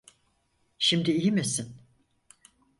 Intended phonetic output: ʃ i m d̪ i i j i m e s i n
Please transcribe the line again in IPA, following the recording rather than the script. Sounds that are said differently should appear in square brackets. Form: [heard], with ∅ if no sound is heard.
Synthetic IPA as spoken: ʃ i m d̪ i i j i m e s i n